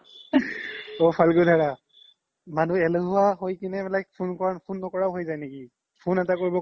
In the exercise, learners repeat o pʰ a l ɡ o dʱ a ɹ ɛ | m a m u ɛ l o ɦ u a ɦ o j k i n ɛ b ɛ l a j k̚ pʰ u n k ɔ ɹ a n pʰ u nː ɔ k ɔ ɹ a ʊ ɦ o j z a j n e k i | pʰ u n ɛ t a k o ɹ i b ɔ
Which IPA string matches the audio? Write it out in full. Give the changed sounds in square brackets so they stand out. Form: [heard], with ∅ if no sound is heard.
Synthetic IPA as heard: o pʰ a l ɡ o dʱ a ɹ [a] | m a [n] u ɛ l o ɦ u a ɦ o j k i n ɛ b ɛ l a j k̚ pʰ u n k ɔ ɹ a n pʰ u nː ɔ k ɔ ɹ a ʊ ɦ o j z a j n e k i | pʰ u n ɛ t a k o ɹ i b ɔ